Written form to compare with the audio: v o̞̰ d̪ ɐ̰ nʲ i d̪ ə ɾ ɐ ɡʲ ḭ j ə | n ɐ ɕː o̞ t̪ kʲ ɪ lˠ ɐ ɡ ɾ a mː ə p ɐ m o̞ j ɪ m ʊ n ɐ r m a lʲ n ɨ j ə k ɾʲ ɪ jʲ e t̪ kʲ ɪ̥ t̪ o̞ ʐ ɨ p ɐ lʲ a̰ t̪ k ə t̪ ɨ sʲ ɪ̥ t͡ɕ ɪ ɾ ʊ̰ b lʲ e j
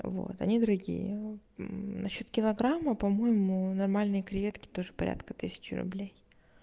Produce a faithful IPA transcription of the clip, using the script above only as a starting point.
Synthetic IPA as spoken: v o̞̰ t̪ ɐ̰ nʲ i d̪ ə ɾ ɐ ɡʲ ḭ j ə | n ɐ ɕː o̞ t̪ kʲ ɪ lˠ ɐ ɡ ɾ a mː ə p ɐ m o̞ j ɪ m ʊ n ɐ r m a lʲ n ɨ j ə k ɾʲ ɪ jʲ e t̪ kʲ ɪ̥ t̪ o̞ ʐ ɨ p ɐ ɾʲ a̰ t̪ k ə t̪ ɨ sʲ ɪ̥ t͡ɕ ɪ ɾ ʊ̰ b lʲ e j